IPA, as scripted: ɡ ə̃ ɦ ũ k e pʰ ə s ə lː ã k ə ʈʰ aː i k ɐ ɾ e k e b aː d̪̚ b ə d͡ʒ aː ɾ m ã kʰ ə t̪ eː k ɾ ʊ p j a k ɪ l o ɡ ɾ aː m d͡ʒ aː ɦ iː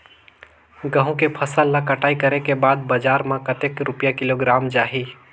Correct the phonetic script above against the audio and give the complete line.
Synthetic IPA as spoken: ɡ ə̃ ɦ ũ k e pʰ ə s ə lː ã k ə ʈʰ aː i k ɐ ɾ e k e b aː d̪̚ b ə d͡ʒ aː ɾ m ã k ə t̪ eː k ɾ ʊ p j a k ɪ l o ɡ ɾ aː m d͡ʒ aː ɦ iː